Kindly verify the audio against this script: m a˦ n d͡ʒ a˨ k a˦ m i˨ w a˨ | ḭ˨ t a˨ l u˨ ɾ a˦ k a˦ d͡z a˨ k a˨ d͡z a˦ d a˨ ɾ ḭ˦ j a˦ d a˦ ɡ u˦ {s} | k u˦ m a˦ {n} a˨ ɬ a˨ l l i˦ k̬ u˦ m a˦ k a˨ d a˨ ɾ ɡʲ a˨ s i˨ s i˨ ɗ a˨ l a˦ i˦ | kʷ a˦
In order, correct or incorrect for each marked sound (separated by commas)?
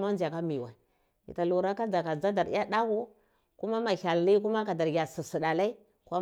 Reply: incorrect, incorrect